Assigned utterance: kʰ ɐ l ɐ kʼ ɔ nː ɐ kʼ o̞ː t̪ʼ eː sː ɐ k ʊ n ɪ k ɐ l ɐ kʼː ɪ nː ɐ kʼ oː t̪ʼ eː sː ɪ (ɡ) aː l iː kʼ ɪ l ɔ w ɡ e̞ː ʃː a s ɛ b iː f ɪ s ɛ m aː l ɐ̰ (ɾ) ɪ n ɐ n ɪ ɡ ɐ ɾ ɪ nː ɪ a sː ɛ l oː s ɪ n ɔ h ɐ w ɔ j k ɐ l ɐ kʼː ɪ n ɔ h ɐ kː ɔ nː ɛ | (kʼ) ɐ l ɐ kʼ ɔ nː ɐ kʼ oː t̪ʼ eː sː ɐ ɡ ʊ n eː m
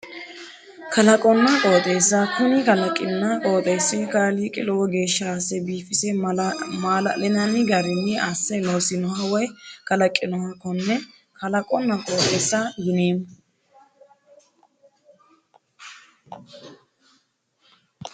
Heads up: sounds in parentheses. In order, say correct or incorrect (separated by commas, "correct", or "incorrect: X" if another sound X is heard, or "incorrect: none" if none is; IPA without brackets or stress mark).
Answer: incorrect: k, incorrect: l, incorrect: k